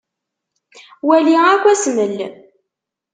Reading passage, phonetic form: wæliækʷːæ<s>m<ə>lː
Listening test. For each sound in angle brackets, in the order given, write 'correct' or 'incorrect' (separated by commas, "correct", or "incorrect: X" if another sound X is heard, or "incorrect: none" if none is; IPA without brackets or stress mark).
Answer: correct, correct